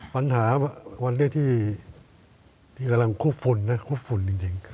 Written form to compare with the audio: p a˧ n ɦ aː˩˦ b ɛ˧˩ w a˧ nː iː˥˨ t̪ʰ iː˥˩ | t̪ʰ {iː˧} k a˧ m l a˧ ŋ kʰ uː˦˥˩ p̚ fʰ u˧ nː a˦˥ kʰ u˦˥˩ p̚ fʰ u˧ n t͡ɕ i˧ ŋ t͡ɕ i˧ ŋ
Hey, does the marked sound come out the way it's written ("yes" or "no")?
no